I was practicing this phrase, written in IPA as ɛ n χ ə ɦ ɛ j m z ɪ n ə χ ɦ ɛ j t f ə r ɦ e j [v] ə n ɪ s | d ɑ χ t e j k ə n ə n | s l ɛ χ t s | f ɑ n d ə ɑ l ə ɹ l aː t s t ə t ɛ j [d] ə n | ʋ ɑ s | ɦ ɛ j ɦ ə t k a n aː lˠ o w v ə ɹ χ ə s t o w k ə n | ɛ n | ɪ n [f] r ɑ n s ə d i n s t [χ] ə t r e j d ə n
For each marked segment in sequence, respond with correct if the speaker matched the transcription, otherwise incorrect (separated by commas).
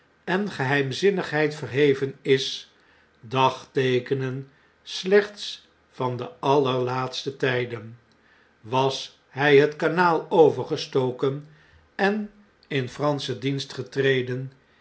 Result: correct, correct, correct, correct